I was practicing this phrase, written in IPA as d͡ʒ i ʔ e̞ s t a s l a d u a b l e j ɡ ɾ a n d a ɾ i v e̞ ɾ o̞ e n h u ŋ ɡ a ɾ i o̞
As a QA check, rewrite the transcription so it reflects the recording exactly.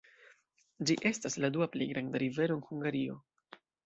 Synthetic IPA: d͡ʒ i ʔ e̞ s t a s l a d u a p l e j ɡ ɾ a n d a ɾ i v e̞ ɾ o̞ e n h u ŋ ɡ a ɾ i o̞